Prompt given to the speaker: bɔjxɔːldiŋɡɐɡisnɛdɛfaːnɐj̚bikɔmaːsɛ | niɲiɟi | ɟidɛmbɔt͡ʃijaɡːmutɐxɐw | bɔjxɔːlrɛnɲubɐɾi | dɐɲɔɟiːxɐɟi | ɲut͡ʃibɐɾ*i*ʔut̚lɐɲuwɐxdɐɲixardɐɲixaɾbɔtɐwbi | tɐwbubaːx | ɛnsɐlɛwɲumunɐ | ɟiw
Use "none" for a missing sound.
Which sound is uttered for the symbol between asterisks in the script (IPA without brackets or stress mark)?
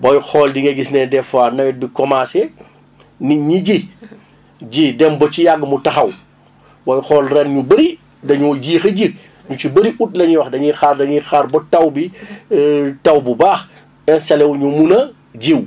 i